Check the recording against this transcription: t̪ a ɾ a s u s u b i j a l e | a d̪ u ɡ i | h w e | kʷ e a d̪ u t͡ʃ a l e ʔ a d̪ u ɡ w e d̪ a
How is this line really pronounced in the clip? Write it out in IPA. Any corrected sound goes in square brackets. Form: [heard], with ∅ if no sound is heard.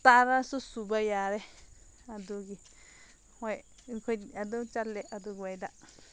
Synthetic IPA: t̪ a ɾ a s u s u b [a] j a [ɾ] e | a d̪ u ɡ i | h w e | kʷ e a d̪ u t͡ʃ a l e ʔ a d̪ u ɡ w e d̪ a